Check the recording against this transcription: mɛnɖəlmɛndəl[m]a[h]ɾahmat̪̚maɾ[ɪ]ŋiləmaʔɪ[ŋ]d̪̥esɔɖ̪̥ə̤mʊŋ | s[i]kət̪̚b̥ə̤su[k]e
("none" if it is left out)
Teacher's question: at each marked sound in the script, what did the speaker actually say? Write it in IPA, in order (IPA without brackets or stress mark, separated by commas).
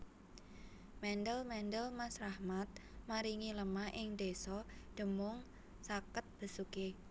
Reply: m, s, i, ŋ, a, k